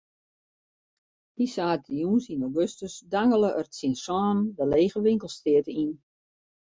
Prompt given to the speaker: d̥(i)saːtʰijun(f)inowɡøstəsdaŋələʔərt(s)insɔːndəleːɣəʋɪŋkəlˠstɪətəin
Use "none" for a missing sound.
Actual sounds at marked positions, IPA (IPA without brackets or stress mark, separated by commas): i, s, s